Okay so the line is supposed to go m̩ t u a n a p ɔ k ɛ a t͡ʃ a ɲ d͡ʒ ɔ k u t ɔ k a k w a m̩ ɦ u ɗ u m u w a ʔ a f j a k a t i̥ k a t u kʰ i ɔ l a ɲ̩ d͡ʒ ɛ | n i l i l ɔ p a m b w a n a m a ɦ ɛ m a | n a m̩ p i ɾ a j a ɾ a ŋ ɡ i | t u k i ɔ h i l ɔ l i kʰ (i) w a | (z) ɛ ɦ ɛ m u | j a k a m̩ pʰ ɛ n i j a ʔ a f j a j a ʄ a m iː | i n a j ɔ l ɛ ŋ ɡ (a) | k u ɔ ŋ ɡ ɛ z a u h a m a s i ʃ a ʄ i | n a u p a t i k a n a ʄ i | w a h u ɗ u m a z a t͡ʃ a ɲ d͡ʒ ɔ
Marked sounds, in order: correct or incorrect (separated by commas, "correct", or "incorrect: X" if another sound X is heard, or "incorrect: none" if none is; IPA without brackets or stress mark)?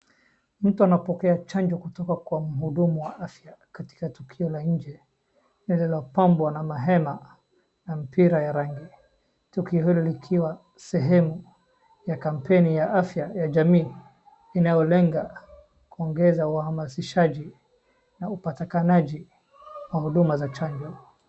correct, incorrect: s, correct